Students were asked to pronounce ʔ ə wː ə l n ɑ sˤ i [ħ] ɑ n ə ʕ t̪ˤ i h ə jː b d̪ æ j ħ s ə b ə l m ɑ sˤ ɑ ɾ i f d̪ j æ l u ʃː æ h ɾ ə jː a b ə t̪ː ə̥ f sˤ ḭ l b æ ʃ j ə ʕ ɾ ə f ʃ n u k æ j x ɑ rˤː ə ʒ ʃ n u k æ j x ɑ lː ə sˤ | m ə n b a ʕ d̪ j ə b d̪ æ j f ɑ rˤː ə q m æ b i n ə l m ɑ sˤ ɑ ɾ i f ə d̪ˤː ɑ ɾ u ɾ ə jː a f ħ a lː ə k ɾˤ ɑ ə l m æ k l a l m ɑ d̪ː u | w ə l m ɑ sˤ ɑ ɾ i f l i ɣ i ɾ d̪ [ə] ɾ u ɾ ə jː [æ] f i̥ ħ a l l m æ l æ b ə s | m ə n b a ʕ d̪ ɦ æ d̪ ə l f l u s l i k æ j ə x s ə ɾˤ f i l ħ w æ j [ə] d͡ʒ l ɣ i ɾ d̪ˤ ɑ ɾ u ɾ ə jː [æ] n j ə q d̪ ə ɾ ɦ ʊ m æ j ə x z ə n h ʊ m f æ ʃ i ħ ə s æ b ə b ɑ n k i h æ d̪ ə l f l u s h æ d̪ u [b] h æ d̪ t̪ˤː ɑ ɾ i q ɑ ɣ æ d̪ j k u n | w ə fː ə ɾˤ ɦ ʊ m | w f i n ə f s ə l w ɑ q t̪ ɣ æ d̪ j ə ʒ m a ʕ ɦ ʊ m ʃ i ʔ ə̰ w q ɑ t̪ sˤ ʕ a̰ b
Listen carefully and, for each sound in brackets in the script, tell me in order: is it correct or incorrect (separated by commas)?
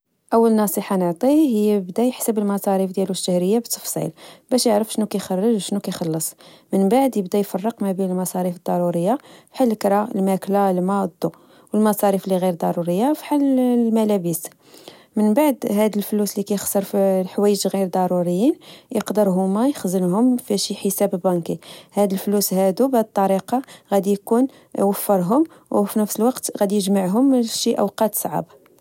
correct, incorrect, incorrect, correct, incorrect, correct